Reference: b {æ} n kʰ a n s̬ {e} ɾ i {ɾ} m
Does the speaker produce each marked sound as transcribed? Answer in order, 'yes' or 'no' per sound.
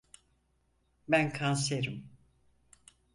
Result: yes, yes, no

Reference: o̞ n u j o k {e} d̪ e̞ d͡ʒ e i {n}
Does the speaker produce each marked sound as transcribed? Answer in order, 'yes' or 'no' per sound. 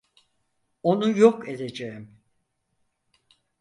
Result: yes, no

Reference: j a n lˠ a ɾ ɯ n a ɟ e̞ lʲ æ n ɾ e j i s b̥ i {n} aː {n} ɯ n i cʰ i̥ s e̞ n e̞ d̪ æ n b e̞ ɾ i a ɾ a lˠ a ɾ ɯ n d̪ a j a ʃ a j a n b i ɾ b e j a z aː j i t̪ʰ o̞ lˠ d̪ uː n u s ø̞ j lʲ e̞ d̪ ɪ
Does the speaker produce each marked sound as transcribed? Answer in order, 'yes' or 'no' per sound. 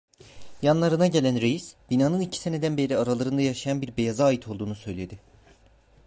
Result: yes, yes

